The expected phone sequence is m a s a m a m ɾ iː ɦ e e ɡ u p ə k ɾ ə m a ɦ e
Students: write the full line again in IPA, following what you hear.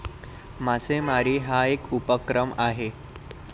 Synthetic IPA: m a s e m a ɾ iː ɦ a e k u p ə k ɾ ə m a ɦ e